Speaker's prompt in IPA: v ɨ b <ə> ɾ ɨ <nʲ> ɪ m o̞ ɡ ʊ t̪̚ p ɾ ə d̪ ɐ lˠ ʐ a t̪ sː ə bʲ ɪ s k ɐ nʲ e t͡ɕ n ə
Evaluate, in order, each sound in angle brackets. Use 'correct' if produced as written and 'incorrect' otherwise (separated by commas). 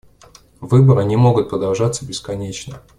correct, correct